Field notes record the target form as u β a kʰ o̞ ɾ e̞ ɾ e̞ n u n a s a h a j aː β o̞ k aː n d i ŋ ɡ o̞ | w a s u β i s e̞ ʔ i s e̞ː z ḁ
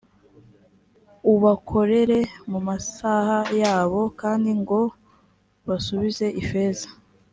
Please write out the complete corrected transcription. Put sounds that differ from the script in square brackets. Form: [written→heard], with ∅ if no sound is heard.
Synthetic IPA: u β a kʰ o̞ ɾ e̞ ɾ e̞ [n→m] u [n→m] a s a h a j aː β o̞ k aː n d i ŋ ɡ o̞ | [w→β] a s u β i [s→z] e̞ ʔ i [s→f] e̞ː z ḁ